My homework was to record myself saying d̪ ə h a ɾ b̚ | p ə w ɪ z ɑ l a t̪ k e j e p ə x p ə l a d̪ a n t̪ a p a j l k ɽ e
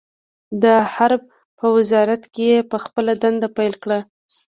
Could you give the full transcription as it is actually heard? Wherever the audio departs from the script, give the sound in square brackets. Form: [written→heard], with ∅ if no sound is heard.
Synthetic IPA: d̪ ə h a ɾ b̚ | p ə w ɪ z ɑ [l→ɾ] a t̪ k e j e p ə x p ə l a d̪ a n [t̪→d̪] a p a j l k ɽ [e→a]